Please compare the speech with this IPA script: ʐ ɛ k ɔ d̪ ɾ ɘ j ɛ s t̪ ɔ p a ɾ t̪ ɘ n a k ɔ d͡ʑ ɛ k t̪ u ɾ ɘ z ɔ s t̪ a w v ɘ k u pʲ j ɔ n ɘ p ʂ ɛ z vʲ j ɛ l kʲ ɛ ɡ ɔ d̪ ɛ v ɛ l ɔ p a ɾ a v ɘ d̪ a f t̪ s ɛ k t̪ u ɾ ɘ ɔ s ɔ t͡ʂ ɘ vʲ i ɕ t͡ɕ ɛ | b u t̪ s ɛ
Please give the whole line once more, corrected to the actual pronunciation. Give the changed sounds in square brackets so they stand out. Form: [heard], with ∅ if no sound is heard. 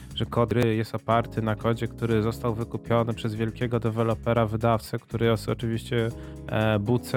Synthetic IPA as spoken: ʐ ɛ k ɔ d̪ ɾ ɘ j ɛ s t̪ ɔ p a ɾ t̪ ɘ n a k ɔ d͡ʑ ɛ k t̪ u ɾ ɘ z ɔ s t̪ a w v ɘ k u pʲ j ɔ n ɘ p ʂ ɛ z vʲ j ɛ l kʲ ɛ ɡ ɔ d̪ ɛ v ɛ l ɔ p [ɛ] ɾ a v ɘ d̪ a f t̪ s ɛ k t̪ u ɾ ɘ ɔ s ɔ t͡ʂ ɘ vʲ i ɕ t͡ɕ ɛ | b u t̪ s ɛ